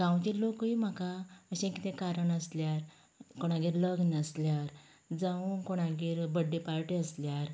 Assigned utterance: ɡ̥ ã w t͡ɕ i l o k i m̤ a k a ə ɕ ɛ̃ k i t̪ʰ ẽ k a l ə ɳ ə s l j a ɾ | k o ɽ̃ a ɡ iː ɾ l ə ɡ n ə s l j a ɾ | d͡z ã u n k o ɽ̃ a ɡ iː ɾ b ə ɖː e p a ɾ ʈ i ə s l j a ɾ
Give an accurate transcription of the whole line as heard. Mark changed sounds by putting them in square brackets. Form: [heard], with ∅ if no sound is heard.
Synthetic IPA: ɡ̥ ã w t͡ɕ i l o k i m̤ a k a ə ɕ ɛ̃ k i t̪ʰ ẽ k a [ɾ] ə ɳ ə s l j a ɾ | k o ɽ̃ a ɡ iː ɾ l ə ɡ n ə s l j a ɾ | d͡z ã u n k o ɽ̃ a ɡ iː ɾ b ə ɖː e p a ɾ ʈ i ə s l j a ɾ